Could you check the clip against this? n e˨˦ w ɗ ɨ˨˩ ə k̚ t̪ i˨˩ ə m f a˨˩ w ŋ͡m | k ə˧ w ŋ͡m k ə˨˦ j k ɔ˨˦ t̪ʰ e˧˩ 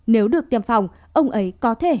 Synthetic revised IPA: n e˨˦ w ɗ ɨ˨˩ ə k̚ t̪ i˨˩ ə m f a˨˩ w ŋ͡m | ʔ ə˧ w ŋ͡m ʔ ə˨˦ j k ɔ˨˦ t̪ʰ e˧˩